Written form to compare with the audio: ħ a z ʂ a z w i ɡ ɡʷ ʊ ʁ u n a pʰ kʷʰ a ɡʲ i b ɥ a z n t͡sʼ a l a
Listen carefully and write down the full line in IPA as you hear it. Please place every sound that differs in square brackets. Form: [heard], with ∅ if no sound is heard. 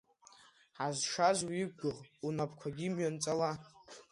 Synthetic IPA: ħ a z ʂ a z w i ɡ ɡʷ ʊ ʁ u n a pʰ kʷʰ a ɡʲ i [m] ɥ a [∅] n t͡sʼ a l a